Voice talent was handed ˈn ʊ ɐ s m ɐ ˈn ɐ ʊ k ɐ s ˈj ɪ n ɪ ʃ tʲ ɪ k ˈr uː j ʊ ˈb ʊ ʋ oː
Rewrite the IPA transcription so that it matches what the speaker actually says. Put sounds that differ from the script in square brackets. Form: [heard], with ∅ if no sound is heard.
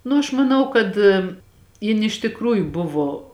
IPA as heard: ˈn ʊ ɐ [ʃ] m ɐ ˈn ɐ ʊ k ɐ [t] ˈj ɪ n ɪ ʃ tʲ ɪ k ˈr uː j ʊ ˈb ʊ ʋ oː